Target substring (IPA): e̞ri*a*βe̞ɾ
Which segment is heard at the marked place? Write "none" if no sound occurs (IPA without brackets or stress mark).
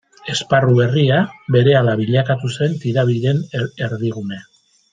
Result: a